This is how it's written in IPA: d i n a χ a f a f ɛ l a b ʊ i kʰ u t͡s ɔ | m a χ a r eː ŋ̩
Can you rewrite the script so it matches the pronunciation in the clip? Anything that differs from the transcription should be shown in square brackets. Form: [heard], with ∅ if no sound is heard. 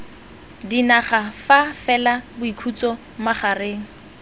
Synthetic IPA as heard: d i n a χ a f a f ɛ l a b ʊ i kʰ u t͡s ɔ | m a χ a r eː ŋ̩

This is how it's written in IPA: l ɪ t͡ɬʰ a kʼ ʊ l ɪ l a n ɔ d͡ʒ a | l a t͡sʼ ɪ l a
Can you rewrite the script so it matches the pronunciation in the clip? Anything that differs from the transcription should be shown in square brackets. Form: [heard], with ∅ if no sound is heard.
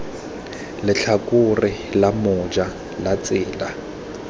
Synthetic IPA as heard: l ɪ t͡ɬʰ a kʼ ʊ [r] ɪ l a [m] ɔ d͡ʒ a | l a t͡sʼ [ɪː] l a

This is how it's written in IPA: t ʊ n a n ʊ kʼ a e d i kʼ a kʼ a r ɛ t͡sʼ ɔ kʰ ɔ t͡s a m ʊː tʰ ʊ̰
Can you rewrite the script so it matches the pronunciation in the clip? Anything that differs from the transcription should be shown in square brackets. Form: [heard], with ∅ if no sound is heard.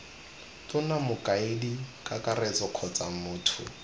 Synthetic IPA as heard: t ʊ n a [m] ʊ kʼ a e d i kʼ a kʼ a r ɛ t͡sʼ ɔ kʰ ɔ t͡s a m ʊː tʰ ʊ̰

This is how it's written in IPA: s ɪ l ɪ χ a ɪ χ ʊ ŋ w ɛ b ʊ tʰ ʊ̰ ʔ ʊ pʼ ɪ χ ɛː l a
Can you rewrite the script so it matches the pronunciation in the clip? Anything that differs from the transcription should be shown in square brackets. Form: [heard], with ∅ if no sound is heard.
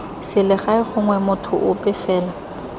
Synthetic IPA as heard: s ɪ l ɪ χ a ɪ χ ʊ ŋ w ɛ [m] ʊ tʰ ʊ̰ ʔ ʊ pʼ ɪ [f] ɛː l a

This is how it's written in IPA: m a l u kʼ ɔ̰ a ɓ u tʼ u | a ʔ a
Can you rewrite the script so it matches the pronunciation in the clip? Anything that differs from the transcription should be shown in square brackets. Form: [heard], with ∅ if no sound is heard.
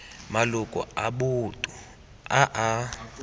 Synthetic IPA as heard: m a l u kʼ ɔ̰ a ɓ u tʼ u | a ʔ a

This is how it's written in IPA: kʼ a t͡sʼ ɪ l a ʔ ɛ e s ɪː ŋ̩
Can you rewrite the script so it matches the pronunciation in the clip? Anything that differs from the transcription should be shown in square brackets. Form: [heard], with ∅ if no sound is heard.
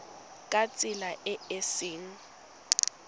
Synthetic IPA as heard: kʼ a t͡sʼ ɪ l a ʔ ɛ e s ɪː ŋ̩

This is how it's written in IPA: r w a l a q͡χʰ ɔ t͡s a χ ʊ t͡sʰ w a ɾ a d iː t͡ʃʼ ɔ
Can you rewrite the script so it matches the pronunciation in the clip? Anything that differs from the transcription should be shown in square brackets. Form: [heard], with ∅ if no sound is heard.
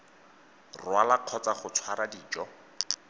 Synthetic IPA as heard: r w a l a q͡χʰ ɔ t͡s a χ ʊ t͡sʰ w a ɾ a d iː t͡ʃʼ ɔ

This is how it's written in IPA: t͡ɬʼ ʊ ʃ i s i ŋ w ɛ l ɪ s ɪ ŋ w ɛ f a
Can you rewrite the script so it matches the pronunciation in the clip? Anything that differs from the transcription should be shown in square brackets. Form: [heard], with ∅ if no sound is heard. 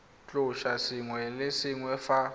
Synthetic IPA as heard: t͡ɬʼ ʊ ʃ [a] s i ŋ w ɛ l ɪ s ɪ ŋ w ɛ f a

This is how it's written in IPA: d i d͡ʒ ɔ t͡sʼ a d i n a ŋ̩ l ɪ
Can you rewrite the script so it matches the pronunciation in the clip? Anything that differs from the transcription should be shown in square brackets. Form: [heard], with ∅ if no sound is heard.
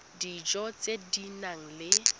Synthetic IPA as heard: d i d͡ʒ ɔ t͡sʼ [e] d i n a ŋ̩ l ɪ

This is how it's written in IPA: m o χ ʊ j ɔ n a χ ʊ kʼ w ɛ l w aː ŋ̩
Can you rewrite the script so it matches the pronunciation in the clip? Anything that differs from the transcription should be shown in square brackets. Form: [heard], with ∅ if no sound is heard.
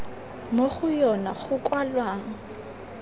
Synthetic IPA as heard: m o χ ʊ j ɔ n a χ ʊ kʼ w [a] l w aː ŋ̩

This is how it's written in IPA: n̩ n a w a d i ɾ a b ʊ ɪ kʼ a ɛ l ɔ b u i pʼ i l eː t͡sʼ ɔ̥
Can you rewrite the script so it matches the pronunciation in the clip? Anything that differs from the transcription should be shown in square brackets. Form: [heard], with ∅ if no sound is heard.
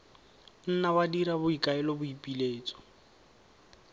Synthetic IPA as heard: n̩ n a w a d i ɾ a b ʊ [i] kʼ a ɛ l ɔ b [ʊ] i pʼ i l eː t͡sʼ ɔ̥

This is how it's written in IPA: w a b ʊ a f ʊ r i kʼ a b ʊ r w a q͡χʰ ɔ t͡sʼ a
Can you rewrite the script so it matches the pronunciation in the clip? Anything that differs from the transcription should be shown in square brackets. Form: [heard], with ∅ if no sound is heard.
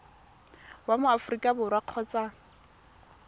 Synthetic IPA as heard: w a [m] ʊ a f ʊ r i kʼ a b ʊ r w a q͡χʰ ɔ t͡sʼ a

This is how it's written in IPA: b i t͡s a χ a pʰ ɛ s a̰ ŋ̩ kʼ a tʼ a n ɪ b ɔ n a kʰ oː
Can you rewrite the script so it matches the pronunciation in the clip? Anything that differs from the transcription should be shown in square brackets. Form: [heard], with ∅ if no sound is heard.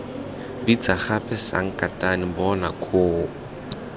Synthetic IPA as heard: b i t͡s a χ a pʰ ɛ s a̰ ŋ̩ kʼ a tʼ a n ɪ b ɔ n a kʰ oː

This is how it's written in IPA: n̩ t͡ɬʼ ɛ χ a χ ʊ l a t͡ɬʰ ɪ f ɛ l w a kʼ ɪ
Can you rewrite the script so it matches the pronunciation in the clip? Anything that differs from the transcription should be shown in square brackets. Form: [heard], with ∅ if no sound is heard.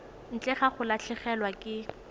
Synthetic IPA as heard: n̩ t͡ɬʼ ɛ χ a χ ʊ l a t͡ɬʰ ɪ [χ] ɛ l w a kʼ ɪ

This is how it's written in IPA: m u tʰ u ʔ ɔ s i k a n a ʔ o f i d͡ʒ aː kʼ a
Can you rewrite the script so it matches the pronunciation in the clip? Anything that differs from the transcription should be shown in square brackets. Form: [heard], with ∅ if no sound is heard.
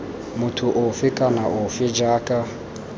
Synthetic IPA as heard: m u tʰ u ʔ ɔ [f] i [kʼ] a n a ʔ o f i d͡ʒ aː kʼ a

